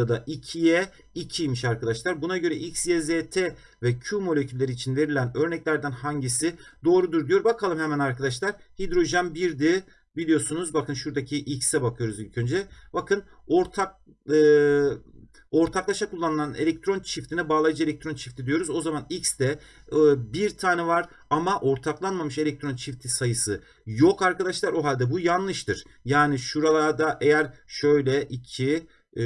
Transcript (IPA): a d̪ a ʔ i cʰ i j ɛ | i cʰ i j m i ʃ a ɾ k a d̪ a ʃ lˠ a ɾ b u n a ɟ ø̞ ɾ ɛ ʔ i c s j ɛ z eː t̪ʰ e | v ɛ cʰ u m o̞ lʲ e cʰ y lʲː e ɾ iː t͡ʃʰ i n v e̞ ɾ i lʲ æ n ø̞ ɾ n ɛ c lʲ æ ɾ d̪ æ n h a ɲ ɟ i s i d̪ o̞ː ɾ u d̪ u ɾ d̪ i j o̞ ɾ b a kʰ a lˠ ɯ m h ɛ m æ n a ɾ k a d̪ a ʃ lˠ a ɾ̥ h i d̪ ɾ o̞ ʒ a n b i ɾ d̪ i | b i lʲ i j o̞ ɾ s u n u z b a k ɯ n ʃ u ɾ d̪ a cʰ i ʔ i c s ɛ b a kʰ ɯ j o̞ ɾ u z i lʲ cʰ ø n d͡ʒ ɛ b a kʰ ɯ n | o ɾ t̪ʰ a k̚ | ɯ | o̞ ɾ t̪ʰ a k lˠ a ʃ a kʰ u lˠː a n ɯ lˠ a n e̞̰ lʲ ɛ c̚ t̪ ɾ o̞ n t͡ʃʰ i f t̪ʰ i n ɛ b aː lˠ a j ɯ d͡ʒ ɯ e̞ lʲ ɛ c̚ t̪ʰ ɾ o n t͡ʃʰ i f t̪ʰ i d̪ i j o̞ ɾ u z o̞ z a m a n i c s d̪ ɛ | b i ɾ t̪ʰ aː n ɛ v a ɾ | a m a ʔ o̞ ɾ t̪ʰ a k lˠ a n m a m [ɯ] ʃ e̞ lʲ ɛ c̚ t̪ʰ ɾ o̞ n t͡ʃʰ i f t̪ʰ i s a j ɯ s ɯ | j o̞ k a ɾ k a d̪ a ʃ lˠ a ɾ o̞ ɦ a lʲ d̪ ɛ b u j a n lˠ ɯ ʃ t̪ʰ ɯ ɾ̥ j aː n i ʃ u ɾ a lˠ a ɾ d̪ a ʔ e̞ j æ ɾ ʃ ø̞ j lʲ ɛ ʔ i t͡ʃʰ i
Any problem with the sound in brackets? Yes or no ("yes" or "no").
no